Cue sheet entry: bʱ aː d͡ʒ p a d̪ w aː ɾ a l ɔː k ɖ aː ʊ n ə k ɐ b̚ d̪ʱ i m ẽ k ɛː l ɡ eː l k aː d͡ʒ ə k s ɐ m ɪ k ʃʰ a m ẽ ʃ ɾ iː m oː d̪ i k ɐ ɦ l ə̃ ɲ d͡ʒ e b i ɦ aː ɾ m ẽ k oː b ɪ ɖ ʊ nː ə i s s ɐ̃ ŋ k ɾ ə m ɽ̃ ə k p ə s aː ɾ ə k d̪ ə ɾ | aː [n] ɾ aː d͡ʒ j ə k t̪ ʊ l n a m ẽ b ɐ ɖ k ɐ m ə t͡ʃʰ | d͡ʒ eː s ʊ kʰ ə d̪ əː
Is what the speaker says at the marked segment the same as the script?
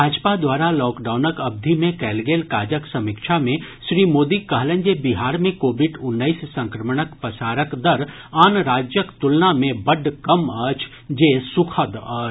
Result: yes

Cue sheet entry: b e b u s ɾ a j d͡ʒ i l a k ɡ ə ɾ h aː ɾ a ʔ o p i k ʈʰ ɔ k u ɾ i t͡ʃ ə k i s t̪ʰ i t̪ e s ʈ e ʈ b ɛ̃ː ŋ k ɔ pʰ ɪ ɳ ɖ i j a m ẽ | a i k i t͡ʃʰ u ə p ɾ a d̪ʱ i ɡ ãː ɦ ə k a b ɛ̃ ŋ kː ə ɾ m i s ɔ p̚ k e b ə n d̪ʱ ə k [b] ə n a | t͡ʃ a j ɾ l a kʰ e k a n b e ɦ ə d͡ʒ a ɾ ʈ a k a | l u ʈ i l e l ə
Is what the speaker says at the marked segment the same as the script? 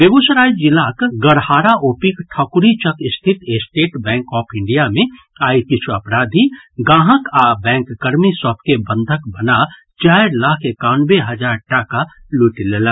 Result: yes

